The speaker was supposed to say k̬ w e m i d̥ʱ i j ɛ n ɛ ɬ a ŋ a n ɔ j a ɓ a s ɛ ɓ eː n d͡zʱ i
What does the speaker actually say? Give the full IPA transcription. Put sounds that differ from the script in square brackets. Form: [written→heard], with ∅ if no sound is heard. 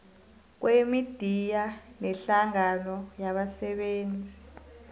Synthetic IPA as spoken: k̬ w e m i d̥ʱ i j [ɛ→a] n ɛ ɬ a ŋ a n ɔ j a ɓ a s ɛ ɓ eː n d͡zʱ i